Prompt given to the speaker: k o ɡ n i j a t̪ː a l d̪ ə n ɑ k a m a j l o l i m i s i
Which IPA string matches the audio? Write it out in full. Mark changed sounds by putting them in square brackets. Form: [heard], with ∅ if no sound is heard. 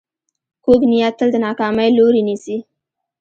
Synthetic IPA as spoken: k o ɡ n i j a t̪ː [ə] l d̪ ə n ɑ k [ɑ] m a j l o [ɾ] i [n] i s i